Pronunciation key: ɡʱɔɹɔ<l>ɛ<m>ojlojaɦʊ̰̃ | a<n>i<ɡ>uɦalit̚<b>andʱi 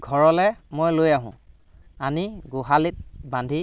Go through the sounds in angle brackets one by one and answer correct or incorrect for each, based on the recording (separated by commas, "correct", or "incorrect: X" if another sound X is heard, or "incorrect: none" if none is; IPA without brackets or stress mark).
correct, correct, correct, correct, correct